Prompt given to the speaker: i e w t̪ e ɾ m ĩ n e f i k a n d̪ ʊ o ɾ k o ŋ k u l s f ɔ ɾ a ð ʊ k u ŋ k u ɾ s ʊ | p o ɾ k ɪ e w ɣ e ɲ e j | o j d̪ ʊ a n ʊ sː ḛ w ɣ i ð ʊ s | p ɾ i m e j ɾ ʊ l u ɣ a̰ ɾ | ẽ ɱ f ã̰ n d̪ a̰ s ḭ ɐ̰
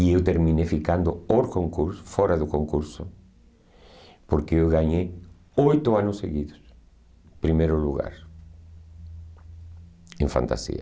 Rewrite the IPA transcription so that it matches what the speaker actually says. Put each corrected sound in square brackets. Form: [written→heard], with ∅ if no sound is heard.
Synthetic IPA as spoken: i e w t̪ e ɾ m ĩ n e f i k a n d̪ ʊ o ɾ k o ŋ k u [l→ɾ] s f ɔ ɾ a ð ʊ k [u→o] ŋ k u ɾ s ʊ | p o ɾ k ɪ e w ɣ [e→a] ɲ e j | o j [d̪→t̪] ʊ a n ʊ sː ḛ [w→∅] ɣ i ð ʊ s | p ɾ i m e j ɾ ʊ l u ɣ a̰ ɾ | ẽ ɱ f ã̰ n [d̪→t̪] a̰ s ḭ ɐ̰

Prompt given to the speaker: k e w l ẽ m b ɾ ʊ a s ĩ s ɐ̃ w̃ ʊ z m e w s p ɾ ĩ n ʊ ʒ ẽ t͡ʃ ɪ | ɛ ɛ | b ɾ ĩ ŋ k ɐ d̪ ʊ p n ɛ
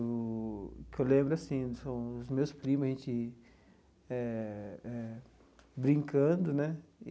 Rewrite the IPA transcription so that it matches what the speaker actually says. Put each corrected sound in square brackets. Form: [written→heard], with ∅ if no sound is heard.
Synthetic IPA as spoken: k e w l ẽ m b ɾ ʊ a s ĩ s ɐ̃ w̃ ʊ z m e w s p ɾ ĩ [n→m] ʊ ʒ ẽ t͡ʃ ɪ | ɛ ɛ | b ɾ ĩ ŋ k [ɐ→ɐ̃] d̪ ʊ [p→∅] n ɛ

